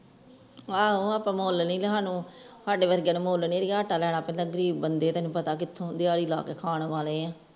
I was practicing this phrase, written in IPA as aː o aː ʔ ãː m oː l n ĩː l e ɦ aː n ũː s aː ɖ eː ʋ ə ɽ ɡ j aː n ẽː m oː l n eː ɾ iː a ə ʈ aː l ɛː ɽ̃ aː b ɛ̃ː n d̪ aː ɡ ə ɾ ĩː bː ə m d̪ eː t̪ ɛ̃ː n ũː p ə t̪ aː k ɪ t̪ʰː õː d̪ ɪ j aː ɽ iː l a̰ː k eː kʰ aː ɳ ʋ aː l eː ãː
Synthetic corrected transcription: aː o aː p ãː m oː l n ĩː l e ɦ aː n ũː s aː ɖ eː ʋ ə ɾ ɡ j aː n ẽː m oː l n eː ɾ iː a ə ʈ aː l ɛː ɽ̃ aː p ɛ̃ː n d̪ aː ɡ ə ɾ iː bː ə n d̪ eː t̪ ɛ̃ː n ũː p ə t̪ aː k ɪ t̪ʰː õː d̪ ɪ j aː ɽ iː l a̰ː k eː kʰ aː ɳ ʋ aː l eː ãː